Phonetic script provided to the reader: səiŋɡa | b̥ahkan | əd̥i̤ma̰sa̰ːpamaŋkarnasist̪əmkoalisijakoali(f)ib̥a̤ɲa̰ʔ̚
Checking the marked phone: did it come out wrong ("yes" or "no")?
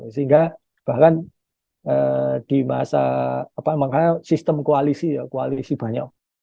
yes